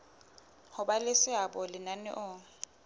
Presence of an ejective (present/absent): absent